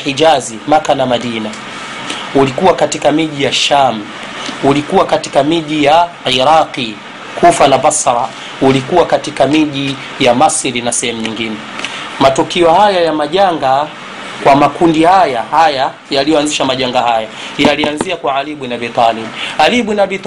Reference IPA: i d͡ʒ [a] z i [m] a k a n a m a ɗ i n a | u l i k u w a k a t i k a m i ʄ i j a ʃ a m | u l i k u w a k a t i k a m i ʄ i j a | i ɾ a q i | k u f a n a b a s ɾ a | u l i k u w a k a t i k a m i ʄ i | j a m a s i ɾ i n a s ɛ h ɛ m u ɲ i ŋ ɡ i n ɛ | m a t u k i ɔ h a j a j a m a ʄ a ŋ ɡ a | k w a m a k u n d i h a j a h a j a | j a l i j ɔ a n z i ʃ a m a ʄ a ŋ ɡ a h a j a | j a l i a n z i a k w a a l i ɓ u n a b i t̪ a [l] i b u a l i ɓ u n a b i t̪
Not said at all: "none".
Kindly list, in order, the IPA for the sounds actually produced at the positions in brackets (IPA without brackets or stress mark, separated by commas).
a, m, l